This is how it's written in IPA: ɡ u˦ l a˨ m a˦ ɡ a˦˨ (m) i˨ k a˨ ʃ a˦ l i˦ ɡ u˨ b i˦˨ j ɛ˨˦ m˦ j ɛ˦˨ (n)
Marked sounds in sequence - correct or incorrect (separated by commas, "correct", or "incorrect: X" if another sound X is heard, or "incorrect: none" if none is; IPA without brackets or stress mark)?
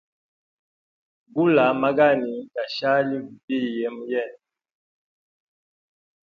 incorrect: n, correct